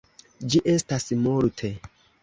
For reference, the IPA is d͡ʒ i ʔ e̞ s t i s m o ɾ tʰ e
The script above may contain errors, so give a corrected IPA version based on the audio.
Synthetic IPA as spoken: d͡ʒ i ʔ e̞ s t a s m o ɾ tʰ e